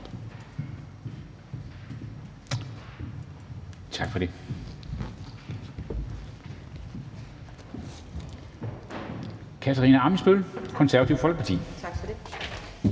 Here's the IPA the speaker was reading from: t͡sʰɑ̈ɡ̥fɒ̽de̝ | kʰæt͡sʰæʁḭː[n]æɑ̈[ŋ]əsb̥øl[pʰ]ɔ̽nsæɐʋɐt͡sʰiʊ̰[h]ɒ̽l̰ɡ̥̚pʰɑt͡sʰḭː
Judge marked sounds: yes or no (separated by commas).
yes, no, no, no